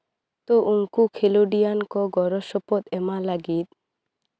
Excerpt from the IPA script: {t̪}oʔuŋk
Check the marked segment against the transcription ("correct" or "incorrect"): correct